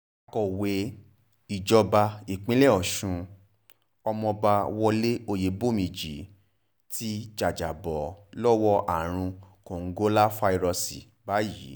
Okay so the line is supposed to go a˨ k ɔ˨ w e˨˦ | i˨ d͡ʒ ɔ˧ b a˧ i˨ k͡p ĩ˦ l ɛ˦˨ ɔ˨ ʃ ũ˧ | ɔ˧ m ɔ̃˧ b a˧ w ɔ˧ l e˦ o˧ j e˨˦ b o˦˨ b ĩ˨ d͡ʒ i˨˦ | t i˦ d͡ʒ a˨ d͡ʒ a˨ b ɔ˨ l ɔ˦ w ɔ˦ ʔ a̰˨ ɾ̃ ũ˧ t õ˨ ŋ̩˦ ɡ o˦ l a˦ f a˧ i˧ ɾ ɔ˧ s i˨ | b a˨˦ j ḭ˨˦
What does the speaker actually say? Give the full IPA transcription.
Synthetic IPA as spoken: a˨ k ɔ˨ w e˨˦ | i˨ d͡ʒ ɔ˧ b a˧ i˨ k͡p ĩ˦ l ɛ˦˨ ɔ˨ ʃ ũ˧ | ɔ˧ m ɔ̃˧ b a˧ w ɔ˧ l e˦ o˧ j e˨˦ b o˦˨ m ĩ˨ d͡ʒ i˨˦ | t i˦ d͡ʒ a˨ d͡ʒ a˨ b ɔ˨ l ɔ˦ w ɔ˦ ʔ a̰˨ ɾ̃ ũ˧ k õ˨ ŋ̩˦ ɡ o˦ l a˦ f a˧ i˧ ɾ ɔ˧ s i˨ | b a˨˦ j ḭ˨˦